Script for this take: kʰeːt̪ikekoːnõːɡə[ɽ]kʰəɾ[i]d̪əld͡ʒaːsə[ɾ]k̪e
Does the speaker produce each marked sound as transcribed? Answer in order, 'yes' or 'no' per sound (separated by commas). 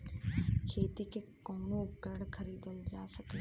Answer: yes, no, no